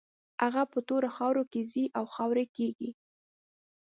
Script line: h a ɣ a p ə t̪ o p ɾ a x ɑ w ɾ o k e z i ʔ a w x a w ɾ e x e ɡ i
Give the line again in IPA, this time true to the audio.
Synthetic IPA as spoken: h a ɣ a p ə t̪ o ɾ a x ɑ w ɾ o k e z i ʔ a w x ɑ w ɾ e k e ɡ i